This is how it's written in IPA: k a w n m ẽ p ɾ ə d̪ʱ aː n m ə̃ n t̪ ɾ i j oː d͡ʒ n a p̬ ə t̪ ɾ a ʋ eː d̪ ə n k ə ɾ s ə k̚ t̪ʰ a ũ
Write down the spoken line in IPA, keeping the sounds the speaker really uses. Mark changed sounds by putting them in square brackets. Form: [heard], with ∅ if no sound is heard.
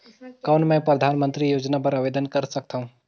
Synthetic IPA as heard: k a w n m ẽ p ɾ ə d̪ʱ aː n m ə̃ n t̪ ɾ i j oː d͡ʒ n a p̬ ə [∅] ɾ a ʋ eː d̪ ə n k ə ɾ s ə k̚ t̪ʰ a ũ